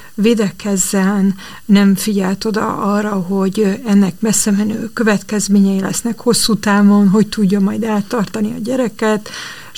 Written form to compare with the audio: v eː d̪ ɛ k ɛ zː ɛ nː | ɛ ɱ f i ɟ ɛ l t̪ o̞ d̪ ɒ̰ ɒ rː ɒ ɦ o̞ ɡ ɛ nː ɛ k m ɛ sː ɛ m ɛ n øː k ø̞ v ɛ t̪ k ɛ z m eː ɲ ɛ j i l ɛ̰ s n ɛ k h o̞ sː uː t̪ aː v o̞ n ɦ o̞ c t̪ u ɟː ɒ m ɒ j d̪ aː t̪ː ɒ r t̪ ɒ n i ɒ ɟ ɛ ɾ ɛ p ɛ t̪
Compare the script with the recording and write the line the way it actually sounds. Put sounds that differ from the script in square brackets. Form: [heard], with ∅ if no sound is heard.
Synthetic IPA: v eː d̪ ɛ k ɛ zː ɛ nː | ɛ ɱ f i ɟ ɛ l t̪ o̞ d̪ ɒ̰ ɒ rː ɒ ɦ o̞ [ɟ] ɛ nː ɛ k m ɛ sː ɛ m ɛ n øː k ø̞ v ɛ t̪ k ɛ z m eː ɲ ɛ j i l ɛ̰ s n ɛ k h o̞ sː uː t̪ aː v o̞ n ɦ o̞ c t̪ u ɟː ɒ m ɒ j d̪ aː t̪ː ɒ r t̪ ɒ n i ɒ ɟ ɛ ɾ ɛ [k] ɛ t̪